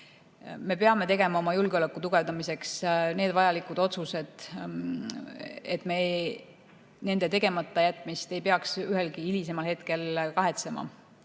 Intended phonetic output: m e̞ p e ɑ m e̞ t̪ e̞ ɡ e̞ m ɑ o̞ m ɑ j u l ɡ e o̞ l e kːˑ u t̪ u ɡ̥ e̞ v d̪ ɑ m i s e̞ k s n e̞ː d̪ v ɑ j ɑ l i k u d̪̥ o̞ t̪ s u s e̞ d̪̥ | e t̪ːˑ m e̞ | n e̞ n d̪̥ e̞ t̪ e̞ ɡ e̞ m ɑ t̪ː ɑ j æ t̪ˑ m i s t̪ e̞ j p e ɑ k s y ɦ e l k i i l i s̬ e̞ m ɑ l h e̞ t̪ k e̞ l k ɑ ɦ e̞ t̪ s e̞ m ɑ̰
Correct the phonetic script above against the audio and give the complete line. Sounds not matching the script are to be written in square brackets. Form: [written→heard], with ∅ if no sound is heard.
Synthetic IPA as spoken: m e̞ p e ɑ m e̞ t̪ e̞ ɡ e̞ m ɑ o̞ m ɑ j u l ɡ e o̞ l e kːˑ u t̪ u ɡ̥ e̞ v d̪ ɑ m i s e̞ k s n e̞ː d̪ v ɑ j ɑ l i k u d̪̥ o̞ t̪ s u s e̞ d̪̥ | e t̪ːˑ m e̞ | n e̞ n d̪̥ e̞ t̪ e̞ ɡ e̞ m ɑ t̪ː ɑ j æ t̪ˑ m i s t̪ e̞ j p e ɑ k s y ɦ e l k i i l i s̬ e̞ m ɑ l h e̞ t̪ k e̞ l k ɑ ɦ e̞ t̪ s e̞ m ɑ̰